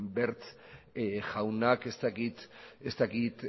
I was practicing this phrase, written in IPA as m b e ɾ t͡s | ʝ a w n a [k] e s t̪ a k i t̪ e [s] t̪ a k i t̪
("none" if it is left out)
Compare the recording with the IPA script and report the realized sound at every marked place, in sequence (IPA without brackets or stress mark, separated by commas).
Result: k, s